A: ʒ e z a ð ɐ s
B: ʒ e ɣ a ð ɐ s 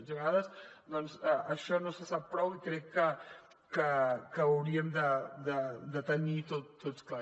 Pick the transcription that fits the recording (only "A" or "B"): B